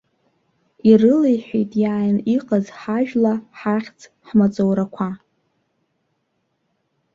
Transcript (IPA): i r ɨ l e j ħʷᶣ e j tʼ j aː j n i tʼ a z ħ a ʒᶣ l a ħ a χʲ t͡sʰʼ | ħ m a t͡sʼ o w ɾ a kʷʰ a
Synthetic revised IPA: i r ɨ l e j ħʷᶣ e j tʼ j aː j n i qʼ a z ħ a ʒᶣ l a ħ a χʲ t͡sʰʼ | ħ m a t͡sʼ o w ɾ a kʷʰ a